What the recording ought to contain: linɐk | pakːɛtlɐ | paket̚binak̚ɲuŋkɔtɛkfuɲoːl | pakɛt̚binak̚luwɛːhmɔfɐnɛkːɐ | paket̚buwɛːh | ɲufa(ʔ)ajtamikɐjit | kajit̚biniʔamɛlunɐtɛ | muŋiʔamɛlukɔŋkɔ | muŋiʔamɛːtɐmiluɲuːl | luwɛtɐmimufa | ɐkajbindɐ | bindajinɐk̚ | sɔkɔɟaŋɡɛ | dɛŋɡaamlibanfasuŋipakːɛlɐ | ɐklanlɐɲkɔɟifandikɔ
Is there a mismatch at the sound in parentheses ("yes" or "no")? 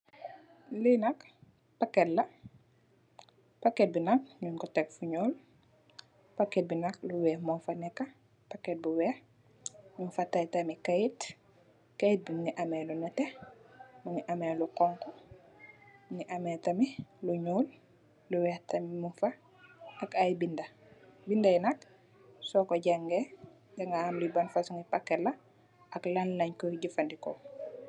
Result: yes